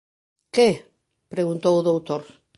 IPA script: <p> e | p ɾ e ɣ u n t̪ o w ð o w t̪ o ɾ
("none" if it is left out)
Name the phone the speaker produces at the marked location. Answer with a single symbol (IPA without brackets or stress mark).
k